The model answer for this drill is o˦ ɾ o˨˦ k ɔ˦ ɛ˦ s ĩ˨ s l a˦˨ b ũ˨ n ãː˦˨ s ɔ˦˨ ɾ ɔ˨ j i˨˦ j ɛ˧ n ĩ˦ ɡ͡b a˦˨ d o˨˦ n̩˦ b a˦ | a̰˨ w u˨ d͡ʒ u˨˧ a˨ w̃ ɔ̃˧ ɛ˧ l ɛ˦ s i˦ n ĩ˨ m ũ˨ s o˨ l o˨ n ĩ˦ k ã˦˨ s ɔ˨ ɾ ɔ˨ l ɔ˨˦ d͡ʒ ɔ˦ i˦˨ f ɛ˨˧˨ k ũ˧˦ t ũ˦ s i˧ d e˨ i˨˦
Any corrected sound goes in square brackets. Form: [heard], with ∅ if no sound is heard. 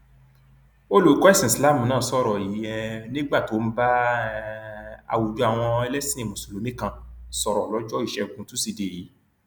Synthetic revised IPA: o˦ [l] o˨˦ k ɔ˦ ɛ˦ s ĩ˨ s l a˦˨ [m] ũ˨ n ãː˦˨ s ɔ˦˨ ɾ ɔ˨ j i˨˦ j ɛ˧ n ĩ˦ ɡ͡b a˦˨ [t] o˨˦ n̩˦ b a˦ | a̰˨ w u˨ d͡ʒ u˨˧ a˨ w̃ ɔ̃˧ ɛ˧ l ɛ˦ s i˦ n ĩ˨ m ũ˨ s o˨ l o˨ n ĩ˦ k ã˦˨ s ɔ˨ ɾ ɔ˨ l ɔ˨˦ d͡ʒ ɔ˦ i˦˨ [ʃ] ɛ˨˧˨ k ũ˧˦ t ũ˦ s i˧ d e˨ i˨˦